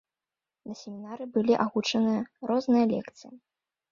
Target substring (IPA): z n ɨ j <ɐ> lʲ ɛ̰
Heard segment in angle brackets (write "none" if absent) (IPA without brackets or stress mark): ɐ